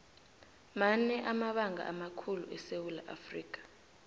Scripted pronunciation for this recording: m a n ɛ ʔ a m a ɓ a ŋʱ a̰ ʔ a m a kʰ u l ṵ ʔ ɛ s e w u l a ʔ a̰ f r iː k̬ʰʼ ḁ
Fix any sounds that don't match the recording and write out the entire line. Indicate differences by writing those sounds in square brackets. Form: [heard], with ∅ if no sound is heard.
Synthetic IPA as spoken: m a n ɛ ʔ a m a ɓ a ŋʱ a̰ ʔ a m a kʰ u l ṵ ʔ ɛ s e w u l a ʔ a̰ f r iː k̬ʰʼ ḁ